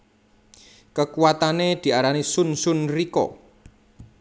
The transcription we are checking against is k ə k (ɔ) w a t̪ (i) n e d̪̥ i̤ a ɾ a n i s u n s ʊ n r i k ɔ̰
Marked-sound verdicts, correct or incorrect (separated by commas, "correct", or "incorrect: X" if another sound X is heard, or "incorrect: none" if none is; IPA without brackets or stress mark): incorrect: u, incorrect: a